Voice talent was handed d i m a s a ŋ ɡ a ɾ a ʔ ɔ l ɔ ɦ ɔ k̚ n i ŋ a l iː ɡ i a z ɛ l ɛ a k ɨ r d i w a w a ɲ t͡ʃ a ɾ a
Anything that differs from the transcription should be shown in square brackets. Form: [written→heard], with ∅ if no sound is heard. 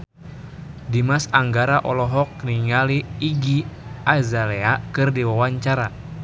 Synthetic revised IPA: d i m a s a ŋ ɡ a ɾ a ʔ ɔ l ɔ ɦ ɔ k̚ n i ŋ a l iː ɡ i a z [ɛ→a] l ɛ a k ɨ r d i w a w a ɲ t͡ʃ a ɾ a